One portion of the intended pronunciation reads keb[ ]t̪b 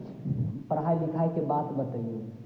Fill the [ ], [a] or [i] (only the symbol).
a